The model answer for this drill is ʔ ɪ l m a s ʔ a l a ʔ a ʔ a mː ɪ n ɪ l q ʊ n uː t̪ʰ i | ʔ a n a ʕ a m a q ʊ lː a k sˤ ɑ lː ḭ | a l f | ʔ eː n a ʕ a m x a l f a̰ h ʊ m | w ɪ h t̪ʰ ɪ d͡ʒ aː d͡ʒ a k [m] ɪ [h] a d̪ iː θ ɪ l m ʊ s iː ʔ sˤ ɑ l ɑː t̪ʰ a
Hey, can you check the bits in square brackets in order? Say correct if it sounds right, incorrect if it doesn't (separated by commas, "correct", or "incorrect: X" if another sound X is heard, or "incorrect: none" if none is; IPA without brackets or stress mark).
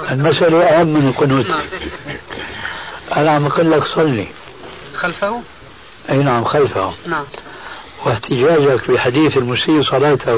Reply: incorrect: b, incorrect: ħ